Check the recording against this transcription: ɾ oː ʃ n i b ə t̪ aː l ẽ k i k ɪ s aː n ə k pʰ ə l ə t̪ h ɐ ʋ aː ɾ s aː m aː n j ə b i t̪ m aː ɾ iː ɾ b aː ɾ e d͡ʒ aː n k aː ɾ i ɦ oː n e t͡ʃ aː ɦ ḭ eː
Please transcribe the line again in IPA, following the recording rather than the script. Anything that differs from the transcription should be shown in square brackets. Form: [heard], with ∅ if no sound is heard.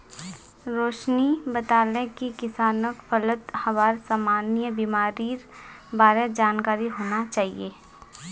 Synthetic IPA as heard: ɾ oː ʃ n i b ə t̪ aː l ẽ k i k ɪ s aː n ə k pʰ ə l ə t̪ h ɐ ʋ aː ɾ s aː m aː n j ə b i [∅] m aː ɾ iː ɾ b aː ɾ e d͡ʒ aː n k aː ɾ i ɦ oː n [a] t͡ʃ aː ɦ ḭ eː